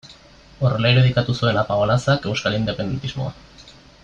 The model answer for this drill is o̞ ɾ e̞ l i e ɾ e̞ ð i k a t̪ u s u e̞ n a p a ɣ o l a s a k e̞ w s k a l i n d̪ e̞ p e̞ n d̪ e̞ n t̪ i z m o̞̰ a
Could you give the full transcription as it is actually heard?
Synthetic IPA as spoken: o̞ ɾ e̞ l a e ɾ e̞ ð i k a t̪ u s u e̞ n a p a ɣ o l a s a k e̞ w s k a l i n d̪ e̞ p e̞ n d̪ e̞ n t̪ i z m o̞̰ a